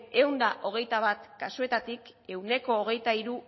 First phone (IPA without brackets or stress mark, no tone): e̞